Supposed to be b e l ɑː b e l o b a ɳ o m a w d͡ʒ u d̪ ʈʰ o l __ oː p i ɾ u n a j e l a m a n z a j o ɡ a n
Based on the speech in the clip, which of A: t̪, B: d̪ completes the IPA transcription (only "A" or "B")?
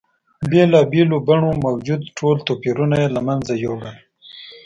A